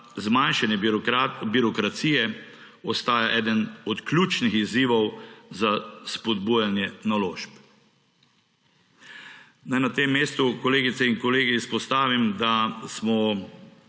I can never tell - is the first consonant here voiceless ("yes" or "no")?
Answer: no